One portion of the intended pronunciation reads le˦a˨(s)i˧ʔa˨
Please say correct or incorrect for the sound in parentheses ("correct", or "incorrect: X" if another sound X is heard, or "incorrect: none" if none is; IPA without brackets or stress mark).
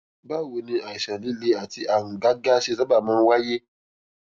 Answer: incorrect: t